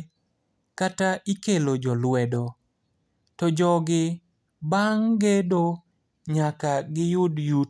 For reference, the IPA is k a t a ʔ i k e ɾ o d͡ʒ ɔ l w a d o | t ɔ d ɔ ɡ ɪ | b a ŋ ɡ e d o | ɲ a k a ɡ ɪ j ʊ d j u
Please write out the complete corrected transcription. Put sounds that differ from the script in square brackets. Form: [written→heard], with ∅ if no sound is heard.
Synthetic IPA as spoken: k a t a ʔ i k e [ɾ→l] o d͡ʒ ɔ l w [a→ɛ] d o | t ɔ [d→d͡ʒ] ɔ ɡ ɪ | b a ŋ ɡ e d o | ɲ a k a ɡ ɪ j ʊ d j u